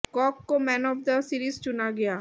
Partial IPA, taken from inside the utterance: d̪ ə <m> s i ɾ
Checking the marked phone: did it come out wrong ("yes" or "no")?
yes